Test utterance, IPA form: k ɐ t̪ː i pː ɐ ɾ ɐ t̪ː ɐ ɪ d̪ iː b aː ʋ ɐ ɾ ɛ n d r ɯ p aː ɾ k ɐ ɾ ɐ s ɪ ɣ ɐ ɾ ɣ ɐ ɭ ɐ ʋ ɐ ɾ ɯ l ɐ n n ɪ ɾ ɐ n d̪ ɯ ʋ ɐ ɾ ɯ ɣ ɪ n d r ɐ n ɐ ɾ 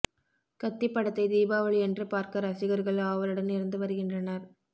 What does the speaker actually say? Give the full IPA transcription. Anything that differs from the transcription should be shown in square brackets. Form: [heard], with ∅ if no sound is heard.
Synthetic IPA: k ɐ t̪ː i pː ɐ [ɽ] ɐ t̪ː ɐ ɪ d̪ iː b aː ʋ ɐ [ɭ] ɛ n d r ɯ p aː ɾ k ɐ ɾ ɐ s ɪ ɣ ɐ ɾ ɣ ɐ ɭ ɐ ʋ ɐ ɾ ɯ [ɽ] ɐ n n ɪ ɾ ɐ n d̪ ɯ ʋ ɐ ɾ ɯ ɣ ɪ n d r ɐ n ɐ ɾ